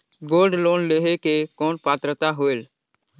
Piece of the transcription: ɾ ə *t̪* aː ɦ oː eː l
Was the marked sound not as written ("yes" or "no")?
no